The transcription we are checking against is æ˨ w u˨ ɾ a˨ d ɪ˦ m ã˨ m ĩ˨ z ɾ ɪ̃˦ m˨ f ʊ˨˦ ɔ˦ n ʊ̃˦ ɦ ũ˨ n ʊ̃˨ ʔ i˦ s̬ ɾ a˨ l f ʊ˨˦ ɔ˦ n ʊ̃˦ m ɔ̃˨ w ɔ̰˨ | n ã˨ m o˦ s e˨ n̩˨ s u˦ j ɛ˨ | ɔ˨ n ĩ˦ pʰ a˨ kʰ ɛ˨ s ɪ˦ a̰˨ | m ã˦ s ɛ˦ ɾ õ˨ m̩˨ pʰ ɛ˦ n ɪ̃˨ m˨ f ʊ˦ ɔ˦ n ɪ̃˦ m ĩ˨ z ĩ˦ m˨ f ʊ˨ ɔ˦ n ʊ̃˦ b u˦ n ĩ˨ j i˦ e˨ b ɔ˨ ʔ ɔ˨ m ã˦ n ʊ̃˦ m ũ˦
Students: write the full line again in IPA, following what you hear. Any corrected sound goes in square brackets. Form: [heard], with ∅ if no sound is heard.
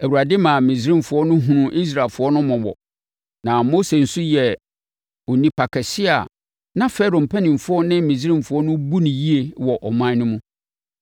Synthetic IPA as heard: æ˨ w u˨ ɾ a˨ d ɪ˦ m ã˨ m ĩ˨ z ɾ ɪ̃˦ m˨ f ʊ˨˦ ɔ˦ n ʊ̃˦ ɦ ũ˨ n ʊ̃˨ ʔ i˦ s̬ ɾ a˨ l f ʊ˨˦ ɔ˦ n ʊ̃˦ m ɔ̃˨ w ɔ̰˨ | n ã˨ m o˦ s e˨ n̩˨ s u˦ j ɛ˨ | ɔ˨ n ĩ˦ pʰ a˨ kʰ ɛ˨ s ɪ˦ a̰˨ | [n] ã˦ [f] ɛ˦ ɾ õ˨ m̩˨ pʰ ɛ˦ n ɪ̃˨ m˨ f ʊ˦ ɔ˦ n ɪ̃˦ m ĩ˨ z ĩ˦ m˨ f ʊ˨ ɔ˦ n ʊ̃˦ b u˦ n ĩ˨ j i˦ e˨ [w] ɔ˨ ʔ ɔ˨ m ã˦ n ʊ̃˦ m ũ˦